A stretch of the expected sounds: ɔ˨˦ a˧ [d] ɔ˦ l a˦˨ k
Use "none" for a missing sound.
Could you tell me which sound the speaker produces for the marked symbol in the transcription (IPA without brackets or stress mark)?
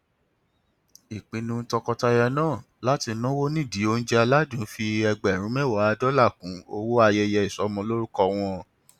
d